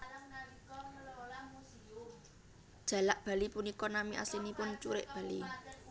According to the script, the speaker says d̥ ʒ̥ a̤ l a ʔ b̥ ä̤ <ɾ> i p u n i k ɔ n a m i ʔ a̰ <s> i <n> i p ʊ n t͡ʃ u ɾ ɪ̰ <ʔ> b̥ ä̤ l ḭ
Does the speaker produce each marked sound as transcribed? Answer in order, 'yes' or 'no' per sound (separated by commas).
no, yes, yes, yes